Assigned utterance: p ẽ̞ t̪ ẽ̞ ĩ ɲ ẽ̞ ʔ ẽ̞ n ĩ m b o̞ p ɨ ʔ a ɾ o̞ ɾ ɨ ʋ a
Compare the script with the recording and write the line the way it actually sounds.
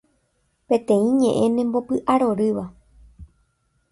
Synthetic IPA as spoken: p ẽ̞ t̪ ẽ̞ ĩ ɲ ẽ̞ ʔ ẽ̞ n ẽ m b o̞ p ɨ ʔ a ɾ o̞ ɾ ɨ ʋ a